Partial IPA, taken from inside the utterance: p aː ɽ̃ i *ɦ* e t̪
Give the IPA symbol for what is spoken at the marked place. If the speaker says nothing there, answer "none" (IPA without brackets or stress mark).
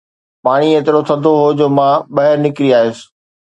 none